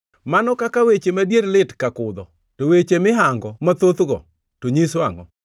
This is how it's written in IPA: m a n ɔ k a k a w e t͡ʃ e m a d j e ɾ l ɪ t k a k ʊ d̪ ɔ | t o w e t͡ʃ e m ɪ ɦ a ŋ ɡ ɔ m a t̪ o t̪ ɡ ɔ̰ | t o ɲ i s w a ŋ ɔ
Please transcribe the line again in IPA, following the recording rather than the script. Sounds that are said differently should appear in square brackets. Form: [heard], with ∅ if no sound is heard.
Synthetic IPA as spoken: m a n ɔ k a k a w e t͡ʃ e m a d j e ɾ l ɪ t k a k ʊ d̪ ɔ | t o w e t͡ʃ e m ɪ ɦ a ŋ ɡ ɔ m a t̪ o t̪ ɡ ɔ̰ | t o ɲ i s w a ŋ ɔ